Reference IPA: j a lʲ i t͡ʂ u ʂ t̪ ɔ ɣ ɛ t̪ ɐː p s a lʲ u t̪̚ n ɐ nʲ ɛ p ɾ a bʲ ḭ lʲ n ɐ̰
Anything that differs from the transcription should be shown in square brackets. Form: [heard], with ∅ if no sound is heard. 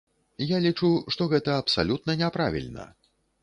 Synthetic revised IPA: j a lʲ i t͡ʂ u ʂ t̪ ɔ ɣ ɛ t̪ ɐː p s a lʲ u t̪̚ n ɐ nʲ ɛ p ɾ a [vʲ] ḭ lʲ n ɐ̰